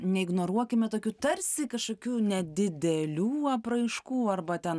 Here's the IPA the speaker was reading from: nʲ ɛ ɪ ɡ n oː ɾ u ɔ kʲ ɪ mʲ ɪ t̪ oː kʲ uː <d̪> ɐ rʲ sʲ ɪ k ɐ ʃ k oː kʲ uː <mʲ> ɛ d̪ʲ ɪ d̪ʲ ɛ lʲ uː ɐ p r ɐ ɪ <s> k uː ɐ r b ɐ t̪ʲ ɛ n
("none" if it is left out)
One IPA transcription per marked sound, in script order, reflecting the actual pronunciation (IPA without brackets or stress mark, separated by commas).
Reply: t̪, nʲ, ʃ